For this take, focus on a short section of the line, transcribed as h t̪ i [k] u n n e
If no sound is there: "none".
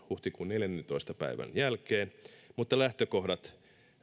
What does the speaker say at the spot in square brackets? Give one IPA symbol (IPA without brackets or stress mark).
k